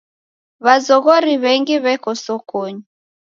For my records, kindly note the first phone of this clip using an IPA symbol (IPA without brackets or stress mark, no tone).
β